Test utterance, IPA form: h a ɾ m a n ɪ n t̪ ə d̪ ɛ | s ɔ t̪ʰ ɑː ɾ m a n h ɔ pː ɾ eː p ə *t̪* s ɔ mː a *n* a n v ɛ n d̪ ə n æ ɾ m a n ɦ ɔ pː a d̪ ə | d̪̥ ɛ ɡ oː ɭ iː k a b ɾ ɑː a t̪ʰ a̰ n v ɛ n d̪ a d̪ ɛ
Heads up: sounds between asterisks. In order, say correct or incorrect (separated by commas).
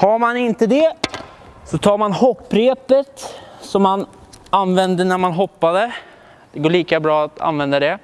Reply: correct, correct